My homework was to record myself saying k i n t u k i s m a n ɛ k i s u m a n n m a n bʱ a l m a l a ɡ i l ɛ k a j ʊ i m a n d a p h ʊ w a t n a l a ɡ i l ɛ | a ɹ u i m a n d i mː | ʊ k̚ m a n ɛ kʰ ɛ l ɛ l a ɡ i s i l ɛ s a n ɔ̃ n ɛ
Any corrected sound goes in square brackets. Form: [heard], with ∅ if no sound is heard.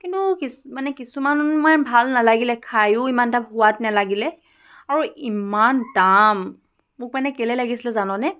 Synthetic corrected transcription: k i n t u k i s m a n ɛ k i s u m a n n m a n bʱ a l [n] a l a ɡ i l ɛ [kʰ] a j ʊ i m a n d a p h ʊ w a t n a l a ɡ i l ɛ | a ɹ u i m a n d [a] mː | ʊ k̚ m a n ɛ [k] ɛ l ɛ l a ɡ i s i l ɛ [z] a n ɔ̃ n ɛ